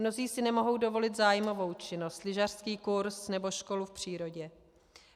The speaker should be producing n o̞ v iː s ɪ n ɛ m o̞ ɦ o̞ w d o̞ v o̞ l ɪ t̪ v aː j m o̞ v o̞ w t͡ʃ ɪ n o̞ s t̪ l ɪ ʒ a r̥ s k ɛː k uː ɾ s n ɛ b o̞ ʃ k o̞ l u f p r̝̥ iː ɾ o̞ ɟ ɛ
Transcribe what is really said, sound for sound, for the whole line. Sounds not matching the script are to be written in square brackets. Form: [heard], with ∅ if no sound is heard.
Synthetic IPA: n o̞ [z] iː s ɪ n ɛ m o̞ ɦ o̞ w d o̞ v o̞ l ɪ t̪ [z] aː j m o̞ v o̞ w t͡ʃ ɪ n o̞ s t̪ l ɪ ʒ a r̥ s k [iː] k [u] ɾ s n ɛ b o̞ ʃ k o̞ l u f p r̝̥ iː ɾ o̞ ɟ ɛ